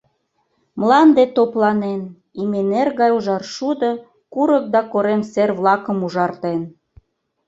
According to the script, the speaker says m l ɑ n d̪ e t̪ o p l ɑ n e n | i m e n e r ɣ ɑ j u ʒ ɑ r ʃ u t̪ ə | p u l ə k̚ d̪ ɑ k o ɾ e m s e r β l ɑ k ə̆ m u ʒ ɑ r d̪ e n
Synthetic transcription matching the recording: m l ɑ n d̪ e t̪ o p l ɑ n e n | i m e n e r ɣ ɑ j u ʒ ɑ r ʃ u d̪ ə | k u ɾ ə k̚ d̪ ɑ k o ɾ e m s e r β l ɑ k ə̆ m u ʒ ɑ r t̪ e n